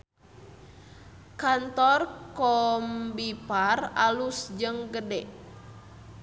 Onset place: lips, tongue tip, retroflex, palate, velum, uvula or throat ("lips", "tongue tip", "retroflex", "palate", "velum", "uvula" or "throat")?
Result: velum